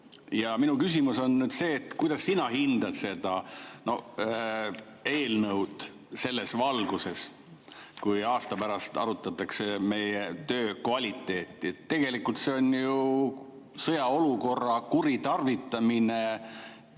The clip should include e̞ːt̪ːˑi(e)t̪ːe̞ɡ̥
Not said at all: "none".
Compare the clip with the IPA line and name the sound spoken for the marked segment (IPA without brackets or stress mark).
e